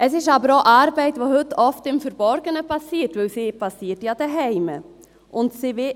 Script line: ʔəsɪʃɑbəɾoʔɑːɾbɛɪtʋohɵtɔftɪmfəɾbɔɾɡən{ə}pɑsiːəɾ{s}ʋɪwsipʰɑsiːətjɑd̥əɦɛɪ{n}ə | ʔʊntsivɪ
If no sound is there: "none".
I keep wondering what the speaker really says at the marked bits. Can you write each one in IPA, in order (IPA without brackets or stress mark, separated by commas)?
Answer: ə, t, m